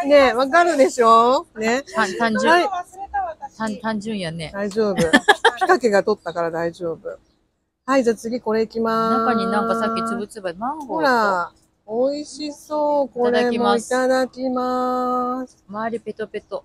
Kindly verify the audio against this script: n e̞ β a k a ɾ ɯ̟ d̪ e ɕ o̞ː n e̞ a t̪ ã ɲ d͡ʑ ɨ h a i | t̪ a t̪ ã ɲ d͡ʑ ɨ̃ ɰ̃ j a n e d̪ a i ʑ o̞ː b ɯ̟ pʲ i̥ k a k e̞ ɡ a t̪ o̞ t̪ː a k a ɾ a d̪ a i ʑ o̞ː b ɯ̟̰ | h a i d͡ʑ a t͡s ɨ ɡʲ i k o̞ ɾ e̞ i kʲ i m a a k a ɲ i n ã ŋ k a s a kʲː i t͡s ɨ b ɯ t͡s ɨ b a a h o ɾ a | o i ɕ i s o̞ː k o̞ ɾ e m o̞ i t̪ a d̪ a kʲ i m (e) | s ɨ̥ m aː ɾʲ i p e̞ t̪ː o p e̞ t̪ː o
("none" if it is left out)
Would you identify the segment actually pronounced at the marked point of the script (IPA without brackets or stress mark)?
a